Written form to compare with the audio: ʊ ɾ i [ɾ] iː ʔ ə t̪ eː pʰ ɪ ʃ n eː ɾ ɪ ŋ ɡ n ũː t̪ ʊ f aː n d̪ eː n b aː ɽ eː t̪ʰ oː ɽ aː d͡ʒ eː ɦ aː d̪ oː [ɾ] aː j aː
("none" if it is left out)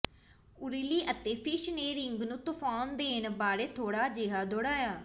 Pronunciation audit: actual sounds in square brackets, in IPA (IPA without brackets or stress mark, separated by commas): l, ɽ